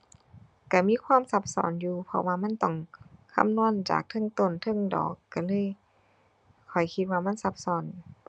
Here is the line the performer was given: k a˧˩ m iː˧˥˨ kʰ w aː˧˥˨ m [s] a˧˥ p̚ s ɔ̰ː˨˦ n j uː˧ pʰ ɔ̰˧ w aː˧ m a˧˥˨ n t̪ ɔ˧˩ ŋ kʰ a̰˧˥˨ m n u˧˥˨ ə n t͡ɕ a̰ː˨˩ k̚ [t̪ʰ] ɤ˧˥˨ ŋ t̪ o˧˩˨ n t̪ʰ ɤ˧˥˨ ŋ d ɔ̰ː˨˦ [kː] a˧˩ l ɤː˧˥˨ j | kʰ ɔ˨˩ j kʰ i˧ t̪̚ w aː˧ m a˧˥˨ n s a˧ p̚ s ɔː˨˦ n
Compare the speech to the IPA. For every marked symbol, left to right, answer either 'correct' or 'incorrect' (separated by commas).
correct, correct, correct